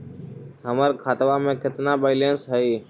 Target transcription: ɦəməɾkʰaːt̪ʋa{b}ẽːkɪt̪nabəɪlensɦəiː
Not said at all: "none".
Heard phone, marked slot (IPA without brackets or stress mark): m